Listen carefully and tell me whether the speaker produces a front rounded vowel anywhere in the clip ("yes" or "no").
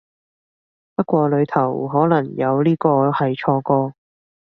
no